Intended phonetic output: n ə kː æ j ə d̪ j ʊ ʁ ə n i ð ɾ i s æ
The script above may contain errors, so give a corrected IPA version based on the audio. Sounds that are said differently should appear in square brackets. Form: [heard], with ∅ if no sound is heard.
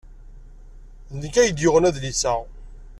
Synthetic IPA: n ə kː æ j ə d̪ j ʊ ʁ ə n [æ] ð [l] i s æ